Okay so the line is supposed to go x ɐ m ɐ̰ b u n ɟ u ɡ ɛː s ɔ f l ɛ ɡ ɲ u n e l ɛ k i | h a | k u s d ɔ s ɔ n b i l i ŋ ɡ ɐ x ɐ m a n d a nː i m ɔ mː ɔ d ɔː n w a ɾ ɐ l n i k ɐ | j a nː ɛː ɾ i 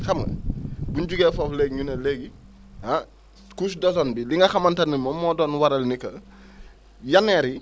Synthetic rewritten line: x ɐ m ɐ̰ b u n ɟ u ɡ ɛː f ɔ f l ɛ ɡ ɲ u n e l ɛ ɡ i | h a | k u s d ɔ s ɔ n b i l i ŋ ɡ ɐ x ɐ m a n t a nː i m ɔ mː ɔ d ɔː n w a ɾ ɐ l n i k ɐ | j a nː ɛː ɾ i